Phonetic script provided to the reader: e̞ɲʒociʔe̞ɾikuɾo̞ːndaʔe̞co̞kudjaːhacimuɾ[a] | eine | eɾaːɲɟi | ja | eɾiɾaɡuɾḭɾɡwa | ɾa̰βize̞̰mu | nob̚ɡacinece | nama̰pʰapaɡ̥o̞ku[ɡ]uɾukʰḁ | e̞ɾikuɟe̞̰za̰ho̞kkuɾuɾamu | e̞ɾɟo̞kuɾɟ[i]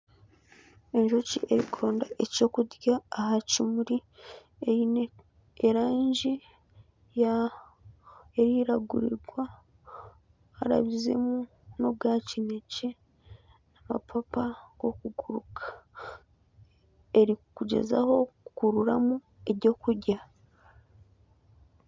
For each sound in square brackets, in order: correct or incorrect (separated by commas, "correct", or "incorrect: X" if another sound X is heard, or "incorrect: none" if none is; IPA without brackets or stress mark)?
incorrect: i, correct, incorrect: a